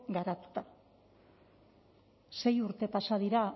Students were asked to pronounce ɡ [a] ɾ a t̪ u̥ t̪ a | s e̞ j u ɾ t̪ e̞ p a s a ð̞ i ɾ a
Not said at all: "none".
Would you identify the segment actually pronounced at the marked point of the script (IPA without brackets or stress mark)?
a